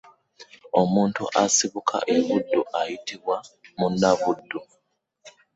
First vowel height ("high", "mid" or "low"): mid